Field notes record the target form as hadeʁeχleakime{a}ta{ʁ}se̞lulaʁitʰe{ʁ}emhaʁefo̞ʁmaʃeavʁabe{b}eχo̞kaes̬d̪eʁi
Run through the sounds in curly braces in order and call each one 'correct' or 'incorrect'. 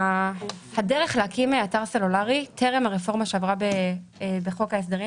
correct, correct, correct, correct

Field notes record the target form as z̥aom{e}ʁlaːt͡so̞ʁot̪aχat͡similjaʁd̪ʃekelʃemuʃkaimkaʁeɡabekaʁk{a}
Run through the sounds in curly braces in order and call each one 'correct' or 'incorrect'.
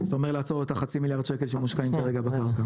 correct, correct

